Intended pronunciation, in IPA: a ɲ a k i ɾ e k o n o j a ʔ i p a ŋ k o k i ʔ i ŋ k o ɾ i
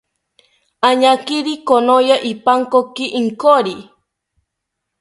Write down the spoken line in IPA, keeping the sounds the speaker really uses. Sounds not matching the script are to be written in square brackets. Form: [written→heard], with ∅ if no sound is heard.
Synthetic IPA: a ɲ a k i ɾ [e→i] k o n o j a ʔ i p a ŋ k o k i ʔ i ŋ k o ɾ i